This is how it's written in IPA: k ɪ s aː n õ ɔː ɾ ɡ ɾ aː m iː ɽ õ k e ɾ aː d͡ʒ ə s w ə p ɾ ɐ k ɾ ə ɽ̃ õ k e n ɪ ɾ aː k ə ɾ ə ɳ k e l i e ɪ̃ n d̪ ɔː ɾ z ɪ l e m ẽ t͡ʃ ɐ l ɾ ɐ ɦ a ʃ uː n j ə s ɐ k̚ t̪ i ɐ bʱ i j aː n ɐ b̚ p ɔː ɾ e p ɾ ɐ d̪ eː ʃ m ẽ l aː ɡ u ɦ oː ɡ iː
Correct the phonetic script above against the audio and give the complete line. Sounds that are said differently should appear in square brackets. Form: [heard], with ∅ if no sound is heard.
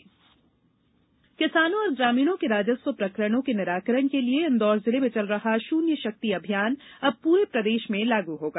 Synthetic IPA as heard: k ɪ s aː n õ ɔː ɾ ɡ ɾ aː m iː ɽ õ k e ɾ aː d͡ʒ ə s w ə p ɾ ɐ k ɾ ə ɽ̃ õ k e n ɪ ɾ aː k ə ɾ ə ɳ k e l i e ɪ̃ n d̪ ɔː ɾ z ɪ l e m ẽ t͡ʃ ɐ l ɾ ɐ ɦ a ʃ uː n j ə [ʃ] ɐ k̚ t̪ i ɐ bʱ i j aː n ɐ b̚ p [uː] ɾ e p ɾ ɐ d̪ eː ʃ m ẽ l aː ɡ u ɦ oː ɡ [aː]